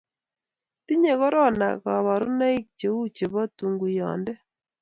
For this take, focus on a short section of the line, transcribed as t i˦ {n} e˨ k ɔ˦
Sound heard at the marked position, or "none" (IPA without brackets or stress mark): ɲ